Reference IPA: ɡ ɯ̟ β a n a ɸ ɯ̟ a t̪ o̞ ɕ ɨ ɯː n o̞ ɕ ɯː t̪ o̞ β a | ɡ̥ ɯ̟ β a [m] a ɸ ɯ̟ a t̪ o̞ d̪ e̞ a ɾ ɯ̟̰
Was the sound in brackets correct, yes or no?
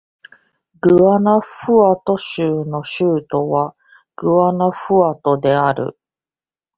no